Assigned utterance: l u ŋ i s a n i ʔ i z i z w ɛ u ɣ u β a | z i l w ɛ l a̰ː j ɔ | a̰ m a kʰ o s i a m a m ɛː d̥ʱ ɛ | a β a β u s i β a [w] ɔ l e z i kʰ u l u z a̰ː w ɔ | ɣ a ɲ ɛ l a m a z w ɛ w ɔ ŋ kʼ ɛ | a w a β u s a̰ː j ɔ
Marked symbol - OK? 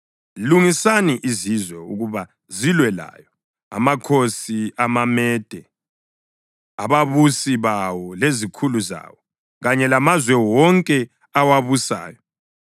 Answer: yes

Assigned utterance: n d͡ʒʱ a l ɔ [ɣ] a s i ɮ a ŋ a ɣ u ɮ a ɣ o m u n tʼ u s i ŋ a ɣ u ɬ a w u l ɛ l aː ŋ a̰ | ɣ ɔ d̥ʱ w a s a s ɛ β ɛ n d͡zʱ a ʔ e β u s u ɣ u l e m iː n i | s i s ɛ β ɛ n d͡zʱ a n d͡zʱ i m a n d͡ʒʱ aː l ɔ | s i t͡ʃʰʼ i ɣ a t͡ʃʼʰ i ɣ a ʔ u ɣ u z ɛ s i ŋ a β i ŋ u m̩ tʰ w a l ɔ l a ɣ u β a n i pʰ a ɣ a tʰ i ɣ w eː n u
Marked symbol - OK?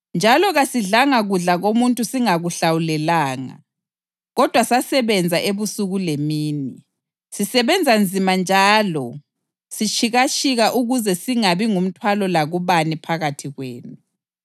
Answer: yes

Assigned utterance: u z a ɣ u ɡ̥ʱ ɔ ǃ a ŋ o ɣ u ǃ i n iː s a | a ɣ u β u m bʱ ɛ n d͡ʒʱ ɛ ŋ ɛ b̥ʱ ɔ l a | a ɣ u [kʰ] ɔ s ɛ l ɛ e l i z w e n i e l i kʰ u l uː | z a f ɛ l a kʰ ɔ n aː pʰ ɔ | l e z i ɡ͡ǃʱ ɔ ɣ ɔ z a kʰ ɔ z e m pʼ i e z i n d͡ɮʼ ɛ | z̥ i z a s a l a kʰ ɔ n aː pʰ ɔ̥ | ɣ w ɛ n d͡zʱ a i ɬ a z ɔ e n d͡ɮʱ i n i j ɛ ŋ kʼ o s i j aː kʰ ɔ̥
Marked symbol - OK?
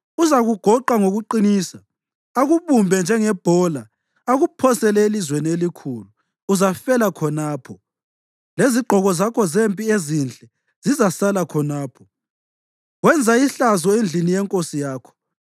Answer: no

